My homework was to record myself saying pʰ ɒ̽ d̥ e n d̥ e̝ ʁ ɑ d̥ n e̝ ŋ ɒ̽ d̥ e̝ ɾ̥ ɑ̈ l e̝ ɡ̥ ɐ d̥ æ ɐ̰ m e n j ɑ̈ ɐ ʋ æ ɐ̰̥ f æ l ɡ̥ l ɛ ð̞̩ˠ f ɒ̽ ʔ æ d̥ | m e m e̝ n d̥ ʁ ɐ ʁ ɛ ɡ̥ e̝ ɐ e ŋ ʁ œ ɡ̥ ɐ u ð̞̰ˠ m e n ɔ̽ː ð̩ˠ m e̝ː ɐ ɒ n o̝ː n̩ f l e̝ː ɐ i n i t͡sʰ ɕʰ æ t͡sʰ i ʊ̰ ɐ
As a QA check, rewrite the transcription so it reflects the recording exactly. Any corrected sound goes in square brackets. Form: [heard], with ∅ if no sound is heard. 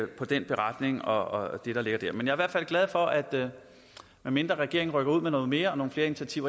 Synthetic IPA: pʰ ɒ̽ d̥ e n [b̥] e̝ ʁ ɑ d̥ n e̝ ŋ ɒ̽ d̥ e̝ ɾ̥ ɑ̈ l e̝ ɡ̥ ɐ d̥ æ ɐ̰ m e n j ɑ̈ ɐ ʋ æ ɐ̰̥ f æ l ɡ̥ l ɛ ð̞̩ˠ f ɒ̽ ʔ æ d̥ | m e m e̝ n d̥ ʁ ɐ ʁ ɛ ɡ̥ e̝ ɐ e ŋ ʁ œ ɡ̥ ɐ u ð̞̰ˠ m e n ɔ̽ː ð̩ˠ m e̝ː ɐ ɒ n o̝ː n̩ f l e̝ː ɐ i n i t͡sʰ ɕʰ æ t͡sʰ i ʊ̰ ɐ